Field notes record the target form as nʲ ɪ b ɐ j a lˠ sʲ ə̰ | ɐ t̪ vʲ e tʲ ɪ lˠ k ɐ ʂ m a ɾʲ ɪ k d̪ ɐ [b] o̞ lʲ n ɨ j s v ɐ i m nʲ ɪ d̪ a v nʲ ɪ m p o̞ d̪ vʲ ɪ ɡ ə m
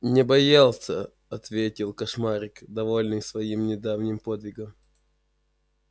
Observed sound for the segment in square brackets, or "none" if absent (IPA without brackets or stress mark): v